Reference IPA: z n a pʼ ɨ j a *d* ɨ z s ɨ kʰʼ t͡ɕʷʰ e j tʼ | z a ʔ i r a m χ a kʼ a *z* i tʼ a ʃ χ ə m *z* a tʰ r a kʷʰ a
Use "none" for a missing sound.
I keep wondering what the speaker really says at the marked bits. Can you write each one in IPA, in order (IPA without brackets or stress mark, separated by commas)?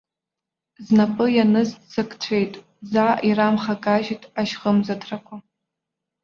n, ʒ, z